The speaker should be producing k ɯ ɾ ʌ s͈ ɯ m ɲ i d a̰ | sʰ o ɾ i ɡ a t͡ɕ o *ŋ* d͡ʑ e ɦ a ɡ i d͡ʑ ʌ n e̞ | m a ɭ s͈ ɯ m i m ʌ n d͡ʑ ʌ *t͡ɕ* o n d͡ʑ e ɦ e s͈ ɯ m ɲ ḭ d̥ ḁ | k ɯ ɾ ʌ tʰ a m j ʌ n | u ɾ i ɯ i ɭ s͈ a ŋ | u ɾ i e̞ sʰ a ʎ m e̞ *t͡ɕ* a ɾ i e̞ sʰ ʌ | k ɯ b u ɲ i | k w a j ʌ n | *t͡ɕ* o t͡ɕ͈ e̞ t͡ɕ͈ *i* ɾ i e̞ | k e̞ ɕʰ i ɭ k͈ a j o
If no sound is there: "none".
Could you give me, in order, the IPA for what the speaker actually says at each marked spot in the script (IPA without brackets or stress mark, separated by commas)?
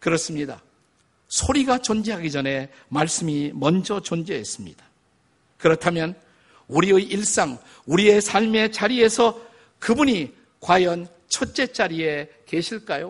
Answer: n, t͡ɕ, t͡ɕ, t͡ɕʰ, a